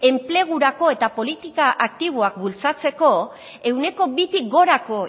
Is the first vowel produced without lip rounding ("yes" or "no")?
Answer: yes